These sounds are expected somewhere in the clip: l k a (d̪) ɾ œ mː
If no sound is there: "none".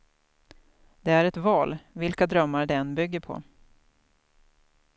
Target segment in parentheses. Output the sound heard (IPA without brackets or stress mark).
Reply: d̪